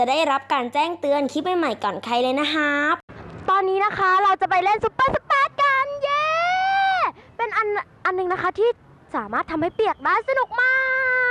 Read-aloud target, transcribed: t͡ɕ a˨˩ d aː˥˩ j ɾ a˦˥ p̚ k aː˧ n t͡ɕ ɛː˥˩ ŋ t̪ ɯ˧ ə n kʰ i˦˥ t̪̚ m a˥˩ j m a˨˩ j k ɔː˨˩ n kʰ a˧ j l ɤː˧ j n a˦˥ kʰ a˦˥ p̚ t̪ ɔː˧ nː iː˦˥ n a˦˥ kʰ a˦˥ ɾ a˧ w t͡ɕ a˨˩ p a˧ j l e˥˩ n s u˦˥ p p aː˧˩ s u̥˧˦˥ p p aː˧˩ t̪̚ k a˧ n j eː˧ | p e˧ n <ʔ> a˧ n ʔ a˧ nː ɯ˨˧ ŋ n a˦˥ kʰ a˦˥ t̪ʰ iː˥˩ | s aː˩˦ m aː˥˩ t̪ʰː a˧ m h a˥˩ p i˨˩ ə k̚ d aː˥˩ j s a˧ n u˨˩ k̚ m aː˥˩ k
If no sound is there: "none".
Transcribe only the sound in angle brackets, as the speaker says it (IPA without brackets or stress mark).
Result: ʔ